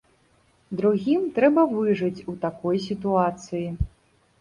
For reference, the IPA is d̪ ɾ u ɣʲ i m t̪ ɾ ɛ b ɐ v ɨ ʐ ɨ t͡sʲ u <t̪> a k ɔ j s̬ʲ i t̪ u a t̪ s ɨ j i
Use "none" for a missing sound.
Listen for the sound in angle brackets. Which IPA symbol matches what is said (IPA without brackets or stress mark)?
t̪